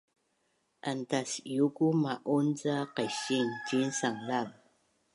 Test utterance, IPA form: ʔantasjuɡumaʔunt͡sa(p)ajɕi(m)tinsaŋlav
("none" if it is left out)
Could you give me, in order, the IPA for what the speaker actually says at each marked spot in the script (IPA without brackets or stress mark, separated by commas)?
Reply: q, ŋ